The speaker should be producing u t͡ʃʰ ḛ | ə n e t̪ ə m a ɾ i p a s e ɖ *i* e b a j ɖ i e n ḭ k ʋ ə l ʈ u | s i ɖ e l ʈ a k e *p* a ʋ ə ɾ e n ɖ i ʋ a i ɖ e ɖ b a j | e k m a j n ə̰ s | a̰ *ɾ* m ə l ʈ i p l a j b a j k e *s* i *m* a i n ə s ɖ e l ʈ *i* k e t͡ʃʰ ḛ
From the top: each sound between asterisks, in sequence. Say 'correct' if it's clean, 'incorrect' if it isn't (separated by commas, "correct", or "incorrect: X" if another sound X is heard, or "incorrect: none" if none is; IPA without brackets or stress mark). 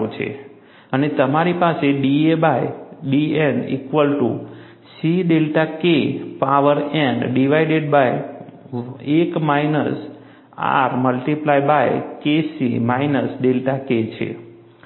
correct, correct, correct, correct, correct, incorrect: a